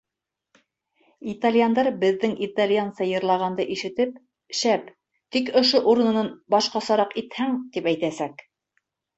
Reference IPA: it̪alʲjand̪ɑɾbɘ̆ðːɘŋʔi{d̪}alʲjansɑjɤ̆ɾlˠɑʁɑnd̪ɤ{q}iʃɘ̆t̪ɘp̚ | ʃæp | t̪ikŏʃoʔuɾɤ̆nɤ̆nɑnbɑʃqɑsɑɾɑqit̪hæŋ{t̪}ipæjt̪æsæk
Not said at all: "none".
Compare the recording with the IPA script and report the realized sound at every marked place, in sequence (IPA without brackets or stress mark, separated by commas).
t̪, ʔ, t̪